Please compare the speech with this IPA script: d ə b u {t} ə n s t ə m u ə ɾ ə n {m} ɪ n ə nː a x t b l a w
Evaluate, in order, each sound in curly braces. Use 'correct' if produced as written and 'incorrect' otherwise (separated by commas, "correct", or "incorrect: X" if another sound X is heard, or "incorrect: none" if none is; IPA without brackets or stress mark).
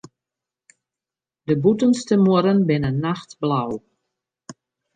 correct, incorrect: b